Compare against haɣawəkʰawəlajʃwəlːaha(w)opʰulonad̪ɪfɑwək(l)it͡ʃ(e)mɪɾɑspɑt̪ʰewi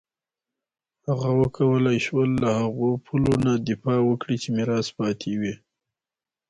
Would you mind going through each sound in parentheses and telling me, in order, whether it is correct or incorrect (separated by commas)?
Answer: incorrect, incorrect, correct